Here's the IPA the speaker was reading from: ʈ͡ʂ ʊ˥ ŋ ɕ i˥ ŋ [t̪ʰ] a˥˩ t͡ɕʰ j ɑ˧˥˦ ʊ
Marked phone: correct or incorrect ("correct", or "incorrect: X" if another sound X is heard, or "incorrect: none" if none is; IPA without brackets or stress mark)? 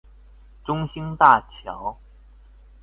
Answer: incorrect: t̪